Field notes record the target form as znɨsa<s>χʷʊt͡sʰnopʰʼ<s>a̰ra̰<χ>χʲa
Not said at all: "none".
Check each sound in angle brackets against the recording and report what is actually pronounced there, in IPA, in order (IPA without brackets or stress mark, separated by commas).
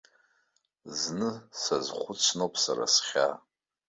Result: z, s, s